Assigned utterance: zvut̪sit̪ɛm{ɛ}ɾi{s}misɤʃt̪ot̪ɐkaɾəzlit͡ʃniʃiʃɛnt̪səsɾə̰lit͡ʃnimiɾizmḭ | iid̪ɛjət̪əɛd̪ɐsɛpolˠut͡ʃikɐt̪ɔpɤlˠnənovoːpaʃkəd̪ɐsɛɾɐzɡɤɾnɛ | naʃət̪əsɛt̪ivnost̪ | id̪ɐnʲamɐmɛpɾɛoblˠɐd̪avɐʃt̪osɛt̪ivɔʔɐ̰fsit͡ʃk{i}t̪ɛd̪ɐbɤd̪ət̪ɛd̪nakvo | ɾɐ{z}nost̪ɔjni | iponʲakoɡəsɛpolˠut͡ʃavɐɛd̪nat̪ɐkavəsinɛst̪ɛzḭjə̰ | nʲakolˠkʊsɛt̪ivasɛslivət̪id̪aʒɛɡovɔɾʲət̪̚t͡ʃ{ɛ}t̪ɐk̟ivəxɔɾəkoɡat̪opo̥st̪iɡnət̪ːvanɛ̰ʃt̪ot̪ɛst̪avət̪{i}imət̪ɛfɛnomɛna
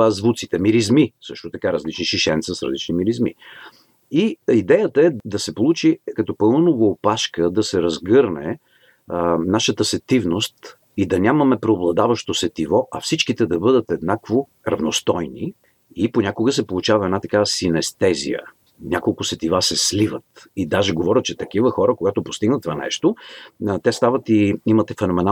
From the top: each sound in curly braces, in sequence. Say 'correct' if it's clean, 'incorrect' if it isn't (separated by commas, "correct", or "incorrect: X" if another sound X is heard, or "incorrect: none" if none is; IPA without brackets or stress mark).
incorrect: i, incorrect: z, correct, incorrect: v, correct, correct